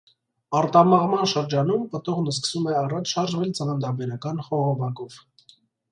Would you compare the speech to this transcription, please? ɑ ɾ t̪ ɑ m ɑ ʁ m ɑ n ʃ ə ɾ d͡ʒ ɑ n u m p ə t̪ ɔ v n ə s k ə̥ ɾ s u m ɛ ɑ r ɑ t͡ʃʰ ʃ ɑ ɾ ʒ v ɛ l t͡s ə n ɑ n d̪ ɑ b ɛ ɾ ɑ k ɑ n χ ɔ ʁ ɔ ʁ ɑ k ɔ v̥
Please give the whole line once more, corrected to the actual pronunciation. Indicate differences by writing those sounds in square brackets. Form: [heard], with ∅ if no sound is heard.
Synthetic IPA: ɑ ɾ t̪ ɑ m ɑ ʁ m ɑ n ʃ ə ɾ d͡ʒ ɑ n u m p ə t̪ ɔ [ʁ] n ə s k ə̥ [∅] s u m ɛ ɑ r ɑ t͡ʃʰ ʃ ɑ ɾ ʒ v ɛ l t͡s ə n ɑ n d̪ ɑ b ɛ ɾ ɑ k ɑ n χ ɔ ʁ ɔ [v] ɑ k ɔ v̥